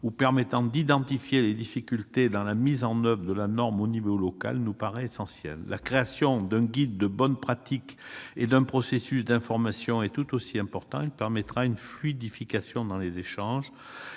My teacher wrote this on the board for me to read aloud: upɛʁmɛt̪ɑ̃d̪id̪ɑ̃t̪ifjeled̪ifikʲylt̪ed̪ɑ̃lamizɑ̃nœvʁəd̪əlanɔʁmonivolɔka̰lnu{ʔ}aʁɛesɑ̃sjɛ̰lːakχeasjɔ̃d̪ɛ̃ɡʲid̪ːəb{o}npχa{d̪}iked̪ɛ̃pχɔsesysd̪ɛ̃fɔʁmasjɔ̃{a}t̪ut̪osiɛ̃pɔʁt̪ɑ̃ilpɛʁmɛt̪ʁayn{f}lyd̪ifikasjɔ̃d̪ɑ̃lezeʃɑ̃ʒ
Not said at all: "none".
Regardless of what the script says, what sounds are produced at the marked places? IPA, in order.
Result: p, ɔ, t̪, ɛ, f

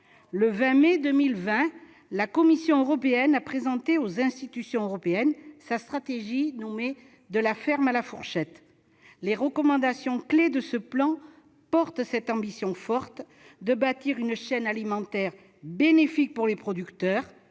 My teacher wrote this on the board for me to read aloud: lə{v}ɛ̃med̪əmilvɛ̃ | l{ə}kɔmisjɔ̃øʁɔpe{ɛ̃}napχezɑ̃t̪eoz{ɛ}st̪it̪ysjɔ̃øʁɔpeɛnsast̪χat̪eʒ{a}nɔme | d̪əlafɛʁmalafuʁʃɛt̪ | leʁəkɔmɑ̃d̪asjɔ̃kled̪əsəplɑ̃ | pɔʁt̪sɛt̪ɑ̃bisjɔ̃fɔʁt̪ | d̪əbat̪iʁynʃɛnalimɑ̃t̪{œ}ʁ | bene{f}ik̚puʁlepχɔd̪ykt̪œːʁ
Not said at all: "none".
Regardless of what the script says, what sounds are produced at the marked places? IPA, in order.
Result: v, a, ɛ, ɛ̃, i, ɛ, f

